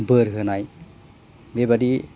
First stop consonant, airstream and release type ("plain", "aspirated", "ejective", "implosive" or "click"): plain